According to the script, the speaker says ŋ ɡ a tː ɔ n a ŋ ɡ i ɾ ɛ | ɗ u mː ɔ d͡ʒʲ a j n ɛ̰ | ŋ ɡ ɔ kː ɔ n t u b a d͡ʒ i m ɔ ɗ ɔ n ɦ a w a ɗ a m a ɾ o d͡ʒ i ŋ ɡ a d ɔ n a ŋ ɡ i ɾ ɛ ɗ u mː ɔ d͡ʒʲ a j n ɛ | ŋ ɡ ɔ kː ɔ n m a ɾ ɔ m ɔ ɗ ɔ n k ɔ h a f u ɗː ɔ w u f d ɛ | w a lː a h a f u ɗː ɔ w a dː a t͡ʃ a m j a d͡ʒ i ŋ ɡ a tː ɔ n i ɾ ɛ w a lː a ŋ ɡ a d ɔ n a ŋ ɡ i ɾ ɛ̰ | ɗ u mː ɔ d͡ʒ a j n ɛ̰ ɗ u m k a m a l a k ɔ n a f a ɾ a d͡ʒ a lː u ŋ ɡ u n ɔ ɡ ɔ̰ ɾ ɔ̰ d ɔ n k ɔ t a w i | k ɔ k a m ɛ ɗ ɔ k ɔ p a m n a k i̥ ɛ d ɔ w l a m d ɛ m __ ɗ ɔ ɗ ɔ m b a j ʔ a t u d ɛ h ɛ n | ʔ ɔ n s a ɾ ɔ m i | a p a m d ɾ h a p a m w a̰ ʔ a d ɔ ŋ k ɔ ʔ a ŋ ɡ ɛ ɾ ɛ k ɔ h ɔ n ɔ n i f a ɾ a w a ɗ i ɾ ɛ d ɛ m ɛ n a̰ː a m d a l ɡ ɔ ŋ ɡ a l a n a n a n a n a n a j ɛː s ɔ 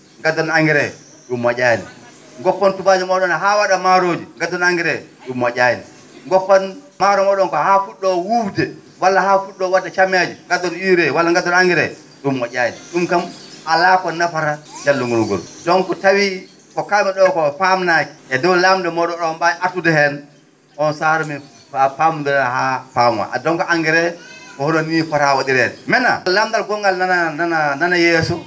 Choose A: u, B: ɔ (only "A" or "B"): B